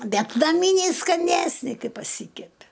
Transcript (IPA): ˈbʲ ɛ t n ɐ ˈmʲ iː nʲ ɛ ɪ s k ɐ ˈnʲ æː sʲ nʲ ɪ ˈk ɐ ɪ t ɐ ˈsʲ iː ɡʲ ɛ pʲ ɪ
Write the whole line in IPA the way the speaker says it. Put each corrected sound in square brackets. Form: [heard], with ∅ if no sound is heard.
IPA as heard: ˈbʲ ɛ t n ɐ ˈmʲ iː nʲ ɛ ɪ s k ɐ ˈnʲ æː sʲ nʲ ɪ ˈk ɐ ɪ [p] ɐ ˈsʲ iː [kʲ] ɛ pʲ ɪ